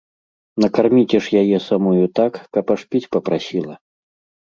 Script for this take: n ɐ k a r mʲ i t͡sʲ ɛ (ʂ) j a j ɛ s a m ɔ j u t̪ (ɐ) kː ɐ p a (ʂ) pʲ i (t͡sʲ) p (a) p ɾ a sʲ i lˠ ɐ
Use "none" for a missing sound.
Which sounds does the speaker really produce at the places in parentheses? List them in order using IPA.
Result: ʂ, a, ʂ, t͡sʲ, ɐ

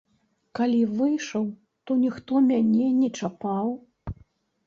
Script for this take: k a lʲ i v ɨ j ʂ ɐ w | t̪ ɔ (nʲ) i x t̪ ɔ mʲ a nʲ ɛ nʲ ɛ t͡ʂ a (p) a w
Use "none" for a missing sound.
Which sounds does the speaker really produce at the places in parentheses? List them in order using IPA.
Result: nʲ, p

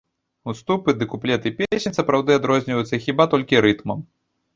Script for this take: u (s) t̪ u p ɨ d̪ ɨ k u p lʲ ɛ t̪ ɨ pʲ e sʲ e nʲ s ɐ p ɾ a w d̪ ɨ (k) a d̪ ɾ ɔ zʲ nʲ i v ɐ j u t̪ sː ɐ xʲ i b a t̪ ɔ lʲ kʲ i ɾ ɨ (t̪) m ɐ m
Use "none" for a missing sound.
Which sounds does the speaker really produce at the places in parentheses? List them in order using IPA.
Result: s, none, t̪

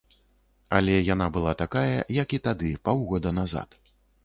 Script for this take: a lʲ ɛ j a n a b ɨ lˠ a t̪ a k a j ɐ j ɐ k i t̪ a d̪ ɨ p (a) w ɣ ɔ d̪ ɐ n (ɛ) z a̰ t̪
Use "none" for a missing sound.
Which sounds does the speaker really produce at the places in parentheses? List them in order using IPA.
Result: a, a

